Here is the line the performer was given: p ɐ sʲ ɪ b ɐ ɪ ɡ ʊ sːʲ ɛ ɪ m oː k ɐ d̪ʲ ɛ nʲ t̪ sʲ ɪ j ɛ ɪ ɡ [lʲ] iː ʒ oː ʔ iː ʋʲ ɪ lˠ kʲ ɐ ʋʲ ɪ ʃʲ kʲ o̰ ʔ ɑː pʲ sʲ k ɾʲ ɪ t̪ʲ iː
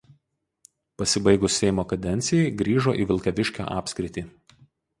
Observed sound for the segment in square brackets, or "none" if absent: ɾʲ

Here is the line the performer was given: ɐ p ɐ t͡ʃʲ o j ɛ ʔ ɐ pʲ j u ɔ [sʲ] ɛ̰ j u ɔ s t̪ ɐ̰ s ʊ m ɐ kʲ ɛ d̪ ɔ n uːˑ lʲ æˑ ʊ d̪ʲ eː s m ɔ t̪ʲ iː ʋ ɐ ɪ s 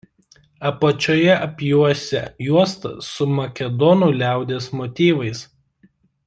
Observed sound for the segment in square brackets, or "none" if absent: sʲ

